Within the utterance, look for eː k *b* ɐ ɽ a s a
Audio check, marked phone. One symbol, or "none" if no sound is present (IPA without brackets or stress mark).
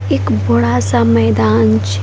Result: b